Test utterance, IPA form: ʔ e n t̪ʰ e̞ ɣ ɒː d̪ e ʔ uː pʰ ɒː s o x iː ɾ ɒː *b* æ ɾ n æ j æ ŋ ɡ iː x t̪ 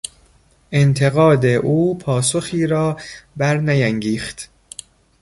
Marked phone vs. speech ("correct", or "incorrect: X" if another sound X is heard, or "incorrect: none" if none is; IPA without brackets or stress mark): correct